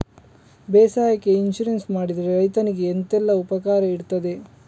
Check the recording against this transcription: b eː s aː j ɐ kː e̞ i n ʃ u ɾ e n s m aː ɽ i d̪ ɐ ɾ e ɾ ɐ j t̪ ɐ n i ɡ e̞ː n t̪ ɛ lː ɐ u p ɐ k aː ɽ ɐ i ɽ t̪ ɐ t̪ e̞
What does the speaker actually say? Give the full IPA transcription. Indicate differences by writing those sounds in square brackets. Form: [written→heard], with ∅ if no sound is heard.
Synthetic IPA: b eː s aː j ɐ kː e̞ i n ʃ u ɾ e n s m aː ɽ i d̪ ɐ ɾ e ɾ ɐ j t̪ ɐ n i ɡ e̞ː n t̪ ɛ lː ɐ u p ɐ k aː [ɽ→ɾ] ɐ i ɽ t̪ ɐ [t̪→d̪] e̞

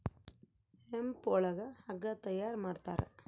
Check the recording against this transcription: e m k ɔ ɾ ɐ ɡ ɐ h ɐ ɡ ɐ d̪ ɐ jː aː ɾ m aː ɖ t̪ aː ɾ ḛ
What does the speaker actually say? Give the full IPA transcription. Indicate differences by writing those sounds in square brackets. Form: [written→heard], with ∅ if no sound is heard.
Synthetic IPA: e m [k→p] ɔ [ɾ→ɭ] ɐ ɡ ɐ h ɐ ɡ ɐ [d̪→t̪] ɐ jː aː ɾ m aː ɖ t̪ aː ɾ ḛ

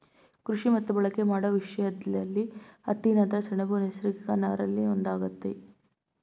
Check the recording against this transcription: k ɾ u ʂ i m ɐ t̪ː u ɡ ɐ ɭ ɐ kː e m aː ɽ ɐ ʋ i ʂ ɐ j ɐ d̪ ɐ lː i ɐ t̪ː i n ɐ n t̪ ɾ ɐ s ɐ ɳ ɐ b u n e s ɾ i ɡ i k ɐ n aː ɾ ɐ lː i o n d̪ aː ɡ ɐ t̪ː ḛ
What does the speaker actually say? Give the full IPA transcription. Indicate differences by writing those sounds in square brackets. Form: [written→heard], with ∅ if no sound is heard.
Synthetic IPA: k ɾ u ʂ i m ɐ t̪ː u [ɡ→b] ɐ ɭ ɐ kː e m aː ɽ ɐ ʋ i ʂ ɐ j ɐ d̪ ɐ lː i ɐ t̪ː i n ɐ n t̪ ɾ ɐ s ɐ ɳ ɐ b u n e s ɾ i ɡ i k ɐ n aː ɾ ɐ lː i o n d̪ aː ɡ ɐ t̪ː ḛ

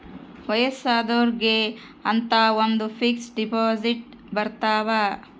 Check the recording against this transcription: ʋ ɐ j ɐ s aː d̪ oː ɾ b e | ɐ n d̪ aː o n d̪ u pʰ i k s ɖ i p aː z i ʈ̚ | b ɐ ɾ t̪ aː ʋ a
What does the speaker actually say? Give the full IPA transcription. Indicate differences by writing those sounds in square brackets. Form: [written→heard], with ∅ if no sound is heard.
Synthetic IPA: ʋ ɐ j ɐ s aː d̪ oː ɾ [b→ɡ] e | ɐ n [d̪→t̪] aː o n d̪ u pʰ i k s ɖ i p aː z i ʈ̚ | b ɐ ɾ t̪ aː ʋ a

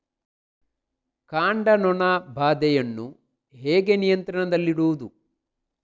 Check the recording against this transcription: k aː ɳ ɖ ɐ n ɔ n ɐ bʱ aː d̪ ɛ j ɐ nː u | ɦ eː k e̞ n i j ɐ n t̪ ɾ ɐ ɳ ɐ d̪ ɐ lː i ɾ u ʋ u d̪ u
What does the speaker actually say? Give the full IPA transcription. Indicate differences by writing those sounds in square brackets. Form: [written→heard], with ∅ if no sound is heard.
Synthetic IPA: k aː ɳ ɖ ɐ n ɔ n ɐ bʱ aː d̪ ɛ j ɐ nː u | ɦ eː [k→ɡ] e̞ n i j ɐ n t̪ ɾ ɐ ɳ ɐ d̪ ɐ lː i [ɾ→ɽ] u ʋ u d̪ u

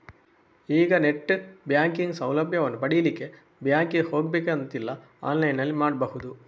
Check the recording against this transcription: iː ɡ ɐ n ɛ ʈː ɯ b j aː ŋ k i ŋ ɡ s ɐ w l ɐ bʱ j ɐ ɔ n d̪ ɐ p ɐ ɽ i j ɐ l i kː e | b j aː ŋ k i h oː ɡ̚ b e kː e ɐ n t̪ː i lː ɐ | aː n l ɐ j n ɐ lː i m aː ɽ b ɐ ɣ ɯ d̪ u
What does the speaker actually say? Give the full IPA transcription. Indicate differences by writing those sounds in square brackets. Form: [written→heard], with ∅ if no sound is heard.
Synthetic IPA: iː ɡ ɐ n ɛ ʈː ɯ b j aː ŋ k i ŋ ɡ s ɐ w l ɐ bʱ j ɐ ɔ n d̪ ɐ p ɐ ɽ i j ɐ l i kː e | b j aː ŋ k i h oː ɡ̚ b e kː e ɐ n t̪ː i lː ɐ | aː n l ɐ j n ɐ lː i m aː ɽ b ɐ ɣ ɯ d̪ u

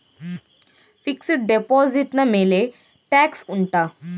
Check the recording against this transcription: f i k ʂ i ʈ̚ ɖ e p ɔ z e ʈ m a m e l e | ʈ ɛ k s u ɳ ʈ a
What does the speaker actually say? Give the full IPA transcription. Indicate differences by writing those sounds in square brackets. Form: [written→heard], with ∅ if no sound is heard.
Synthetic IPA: f i k [ʂ→s] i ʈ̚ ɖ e p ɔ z [e→i] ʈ [m→n] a m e l e | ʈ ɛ k s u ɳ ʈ a

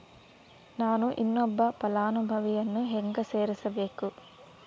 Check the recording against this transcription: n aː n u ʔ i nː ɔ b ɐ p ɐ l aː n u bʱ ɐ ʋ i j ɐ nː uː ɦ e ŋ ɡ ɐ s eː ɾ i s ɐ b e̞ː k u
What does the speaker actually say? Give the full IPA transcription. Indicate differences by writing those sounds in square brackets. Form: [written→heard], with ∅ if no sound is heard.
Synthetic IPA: n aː n u ʔ i nː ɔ [b→bː] ɐ p ɐ l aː n u bʱ ɐ ʋ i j ɐ nː [uː→u] ɦ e ŋ ɡ ɐ s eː ɾ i s ɐ b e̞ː k u

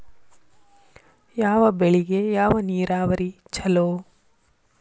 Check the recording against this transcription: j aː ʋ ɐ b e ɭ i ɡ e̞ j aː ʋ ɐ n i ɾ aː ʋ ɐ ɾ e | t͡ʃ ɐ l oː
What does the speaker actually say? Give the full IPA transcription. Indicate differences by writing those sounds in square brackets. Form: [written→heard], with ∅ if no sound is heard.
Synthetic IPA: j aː ʋ ɐ b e ɭ i ɡ e̞ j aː ʋ ɐ n [i→iː] ɾ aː ʋ ɐ ɾ [e→i] | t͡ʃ ɐ l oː

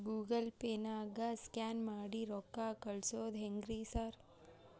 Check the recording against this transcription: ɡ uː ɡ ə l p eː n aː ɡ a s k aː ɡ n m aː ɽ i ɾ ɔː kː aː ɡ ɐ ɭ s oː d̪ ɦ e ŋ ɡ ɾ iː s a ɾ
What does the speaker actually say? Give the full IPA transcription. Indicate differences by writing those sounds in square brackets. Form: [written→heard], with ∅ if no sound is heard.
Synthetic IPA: ɡ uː ɡ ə l p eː n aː ɡ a s k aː [ɡ→∅] n m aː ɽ i ɾ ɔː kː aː [ɡ→k] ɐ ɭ s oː d̪ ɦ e ŋ ɡ ɾ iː s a ɾ

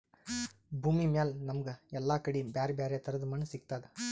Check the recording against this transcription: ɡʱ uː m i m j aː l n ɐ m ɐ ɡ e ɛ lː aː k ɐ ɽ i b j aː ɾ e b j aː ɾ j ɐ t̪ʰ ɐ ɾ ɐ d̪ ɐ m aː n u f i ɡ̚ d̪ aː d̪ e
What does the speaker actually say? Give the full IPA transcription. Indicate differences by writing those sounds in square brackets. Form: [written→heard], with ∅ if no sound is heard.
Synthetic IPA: [ɡʱ→bʱ] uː m i m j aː l n ɐ m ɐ ɡ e ɛ lː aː k ɐ ɽ i b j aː ɾ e b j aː ɾ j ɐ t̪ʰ ɐ ɾ ɐ d̪ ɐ m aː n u [f→s] i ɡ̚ [d̪→t̪] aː d̪ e

